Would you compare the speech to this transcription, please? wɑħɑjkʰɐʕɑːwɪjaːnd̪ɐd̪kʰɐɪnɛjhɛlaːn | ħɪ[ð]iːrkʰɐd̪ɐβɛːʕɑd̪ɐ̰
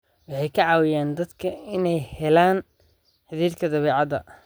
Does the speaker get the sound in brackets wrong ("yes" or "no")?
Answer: no